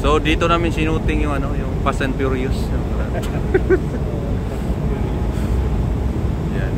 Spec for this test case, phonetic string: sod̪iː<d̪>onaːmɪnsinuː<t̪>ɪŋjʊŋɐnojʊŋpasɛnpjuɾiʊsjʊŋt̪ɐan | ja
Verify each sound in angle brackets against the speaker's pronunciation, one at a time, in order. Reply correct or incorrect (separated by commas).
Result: incorrect, correct